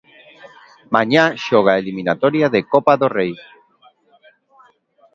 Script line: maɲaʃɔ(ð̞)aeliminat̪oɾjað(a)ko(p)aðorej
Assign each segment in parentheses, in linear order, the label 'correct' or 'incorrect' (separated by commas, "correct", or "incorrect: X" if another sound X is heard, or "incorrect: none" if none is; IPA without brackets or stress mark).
incorrect: ɣ̞, incorrect: e, correct